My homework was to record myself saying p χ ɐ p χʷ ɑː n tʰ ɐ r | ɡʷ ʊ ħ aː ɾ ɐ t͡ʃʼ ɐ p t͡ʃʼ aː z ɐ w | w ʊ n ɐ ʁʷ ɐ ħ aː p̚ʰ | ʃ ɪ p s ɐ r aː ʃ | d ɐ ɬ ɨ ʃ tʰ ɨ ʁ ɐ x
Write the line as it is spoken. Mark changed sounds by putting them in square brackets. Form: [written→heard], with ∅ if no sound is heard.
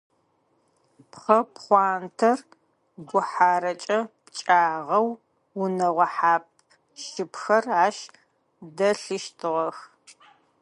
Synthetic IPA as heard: p χ ɐ p χʷ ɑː n tʰ ɐ r | ɡʷ ʊ ħ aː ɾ ɐ t͡ʃʼ ɐ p t͡ʃʼ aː [z→ʁ] ɐ w | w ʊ n ɐ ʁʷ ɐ ħ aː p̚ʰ | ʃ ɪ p [s→x] ɐ r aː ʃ | d ɐ ɬ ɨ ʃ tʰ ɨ ʁ ɐ x